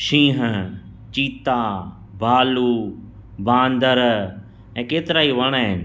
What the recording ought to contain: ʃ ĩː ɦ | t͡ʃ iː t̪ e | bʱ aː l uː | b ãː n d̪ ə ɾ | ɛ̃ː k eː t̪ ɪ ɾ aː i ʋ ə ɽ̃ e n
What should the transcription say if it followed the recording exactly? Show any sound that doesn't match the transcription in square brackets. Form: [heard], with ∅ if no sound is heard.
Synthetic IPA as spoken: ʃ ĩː ɦ | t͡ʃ iː t̪ [a] | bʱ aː l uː | b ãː n d̪ ə ɾ | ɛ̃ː k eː t̪ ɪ ɾ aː i ʋ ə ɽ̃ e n